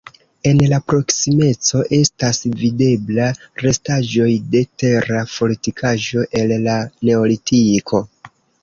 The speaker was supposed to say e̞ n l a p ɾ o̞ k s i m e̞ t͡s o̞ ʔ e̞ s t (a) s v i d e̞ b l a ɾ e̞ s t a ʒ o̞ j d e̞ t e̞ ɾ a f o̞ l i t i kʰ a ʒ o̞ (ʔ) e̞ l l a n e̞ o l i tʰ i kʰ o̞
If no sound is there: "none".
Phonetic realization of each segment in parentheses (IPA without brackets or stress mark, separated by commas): a, ʔ